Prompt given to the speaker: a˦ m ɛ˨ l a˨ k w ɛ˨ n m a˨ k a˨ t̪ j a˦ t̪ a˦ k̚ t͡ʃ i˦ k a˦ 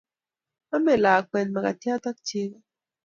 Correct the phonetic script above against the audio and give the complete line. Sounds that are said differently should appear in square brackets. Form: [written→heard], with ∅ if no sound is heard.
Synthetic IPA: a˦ m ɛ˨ l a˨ k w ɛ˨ n m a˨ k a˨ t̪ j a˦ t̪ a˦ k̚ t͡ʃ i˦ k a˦

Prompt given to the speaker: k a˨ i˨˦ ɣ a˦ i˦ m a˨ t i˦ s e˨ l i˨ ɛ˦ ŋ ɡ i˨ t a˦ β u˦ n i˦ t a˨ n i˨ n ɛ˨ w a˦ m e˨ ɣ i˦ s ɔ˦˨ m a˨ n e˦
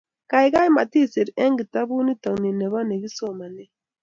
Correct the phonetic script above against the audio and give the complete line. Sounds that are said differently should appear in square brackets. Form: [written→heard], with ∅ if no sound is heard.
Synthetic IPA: k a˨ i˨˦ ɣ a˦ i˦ m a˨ t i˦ s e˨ [l→ɾ] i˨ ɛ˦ ŋ ɡ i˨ t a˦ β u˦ n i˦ t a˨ n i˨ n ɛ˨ [w→β] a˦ [m→n] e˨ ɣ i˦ s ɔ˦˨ m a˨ n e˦

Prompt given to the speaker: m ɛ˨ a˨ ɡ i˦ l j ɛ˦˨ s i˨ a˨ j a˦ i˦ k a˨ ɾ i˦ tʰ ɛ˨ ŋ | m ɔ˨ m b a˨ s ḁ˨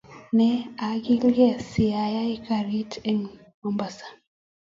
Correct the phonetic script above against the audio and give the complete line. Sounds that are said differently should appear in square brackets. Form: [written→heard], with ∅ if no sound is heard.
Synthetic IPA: [m→n] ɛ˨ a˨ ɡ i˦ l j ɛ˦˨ s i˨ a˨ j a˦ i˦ k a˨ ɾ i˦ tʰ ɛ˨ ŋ | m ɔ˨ m b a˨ s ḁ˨

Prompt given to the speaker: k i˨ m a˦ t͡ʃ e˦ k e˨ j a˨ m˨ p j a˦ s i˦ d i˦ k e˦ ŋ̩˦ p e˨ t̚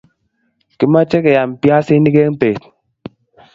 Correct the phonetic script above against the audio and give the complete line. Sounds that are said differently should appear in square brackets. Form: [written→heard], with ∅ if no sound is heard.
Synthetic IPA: k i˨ m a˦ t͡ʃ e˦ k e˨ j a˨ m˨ p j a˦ s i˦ [d→n] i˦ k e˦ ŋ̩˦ p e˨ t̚

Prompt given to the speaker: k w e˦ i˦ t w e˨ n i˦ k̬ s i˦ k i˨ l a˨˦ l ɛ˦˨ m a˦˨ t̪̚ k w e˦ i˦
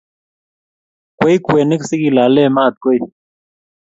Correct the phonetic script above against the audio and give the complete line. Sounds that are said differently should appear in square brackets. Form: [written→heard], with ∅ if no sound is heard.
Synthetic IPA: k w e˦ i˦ [t→k] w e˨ n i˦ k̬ s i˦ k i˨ l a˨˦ l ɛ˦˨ m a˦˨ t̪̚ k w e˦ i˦

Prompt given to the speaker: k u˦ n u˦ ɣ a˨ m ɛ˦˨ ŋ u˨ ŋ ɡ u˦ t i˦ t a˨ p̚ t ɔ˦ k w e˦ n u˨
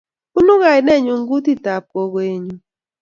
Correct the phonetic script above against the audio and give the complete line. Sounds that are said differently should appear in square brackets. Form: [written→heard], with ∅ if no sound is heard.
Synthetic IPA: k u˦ n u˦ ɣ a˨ [m→n] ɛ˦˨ [ŋ→ɲ] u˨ ŋ ɡ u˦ t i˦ t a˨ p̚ [t→k] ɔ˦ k w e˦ [n→ɲ] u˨

